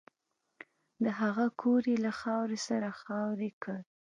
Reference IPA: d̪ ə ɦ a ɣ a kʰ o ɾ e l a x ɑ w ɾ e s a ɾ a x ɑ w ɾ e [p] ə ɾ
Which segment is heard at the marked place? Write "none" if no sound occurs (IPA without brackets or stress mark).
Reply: k